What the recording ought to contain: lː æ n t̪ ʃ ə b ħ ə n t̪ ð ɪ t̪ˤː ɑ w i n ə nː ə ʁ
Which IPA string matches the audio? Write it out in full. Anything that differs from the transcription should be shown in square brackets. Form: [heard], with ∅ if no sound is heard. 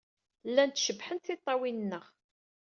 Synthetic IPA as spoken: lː æ n t̪ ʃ ə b ħ ə n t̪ [θ] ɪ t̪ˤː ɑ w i n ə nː ə ʁ